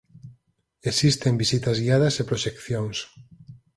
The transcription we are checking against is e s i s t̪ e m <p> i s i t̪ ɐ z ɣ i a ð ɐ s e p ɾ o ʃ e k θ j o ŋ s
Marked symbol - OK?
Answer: no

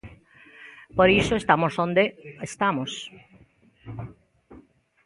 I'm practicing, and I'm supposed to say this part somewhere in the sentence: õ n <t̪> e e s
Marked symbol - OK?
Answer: no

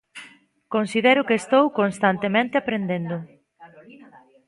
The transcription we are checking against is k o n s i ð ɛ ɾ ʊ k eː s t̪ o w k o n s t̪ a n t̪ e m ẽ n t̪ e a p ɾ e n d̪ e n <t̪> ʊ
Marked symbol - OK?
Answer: no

